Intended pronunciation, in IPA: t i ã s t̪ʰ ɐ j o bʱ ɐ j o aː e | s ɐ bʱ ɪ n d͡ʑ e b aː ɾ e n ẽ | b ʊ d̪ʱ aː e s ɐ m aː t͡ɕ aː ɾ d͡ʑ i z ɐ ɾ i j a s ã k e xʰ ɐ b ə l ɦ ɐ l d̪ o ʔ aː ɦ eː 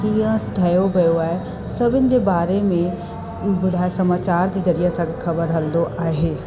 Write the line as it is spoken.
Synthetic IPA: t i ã s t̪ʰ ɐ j o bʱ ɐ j o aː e | s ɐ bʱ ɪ n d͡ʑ e b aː ɾ e m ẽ | b ʊ d̪ʱ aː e s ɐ m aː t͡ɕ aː ɾ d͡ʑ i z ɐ ɾ i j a s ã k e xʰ ɐ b ə ɾ ɦ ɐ l d̪ o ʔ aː ɦ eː